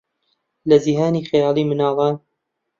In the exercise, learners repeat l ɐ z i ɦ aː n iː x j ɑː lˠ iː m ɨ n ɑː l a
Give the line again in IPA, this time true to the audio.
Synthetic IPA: l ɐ z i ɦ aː n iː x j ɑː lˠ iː m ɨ n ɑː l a